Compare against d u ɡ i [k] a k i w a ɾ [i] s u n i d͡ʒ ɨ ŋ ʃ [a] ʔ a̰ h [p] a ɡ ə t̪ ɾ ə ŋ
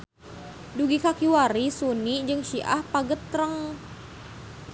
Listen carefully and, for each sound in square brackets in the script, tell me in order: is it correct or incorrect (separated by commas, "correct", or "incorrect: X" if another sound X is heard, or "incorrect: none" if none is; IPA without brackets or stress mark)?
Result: correct, correct, incorrect: i, correct